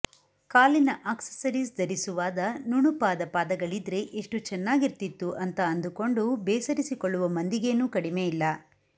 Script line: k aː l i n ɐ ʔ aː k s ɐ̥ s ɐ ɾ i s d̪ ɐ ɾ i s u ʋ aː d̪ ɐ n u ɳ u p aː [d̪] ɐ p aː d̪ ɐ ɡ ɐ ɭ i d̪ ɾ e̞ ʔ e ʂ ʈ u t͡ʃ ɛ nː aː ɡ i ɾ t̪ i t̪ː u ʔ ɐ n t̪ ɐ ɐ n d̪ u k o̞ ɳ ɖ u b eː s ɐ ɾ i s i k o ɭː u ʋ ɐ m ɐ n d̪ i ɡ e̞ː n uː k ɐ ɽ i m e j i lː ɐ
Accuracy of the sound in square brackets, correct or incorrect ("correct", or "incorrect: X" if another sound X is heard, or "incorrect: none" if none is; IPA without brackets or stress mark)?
correct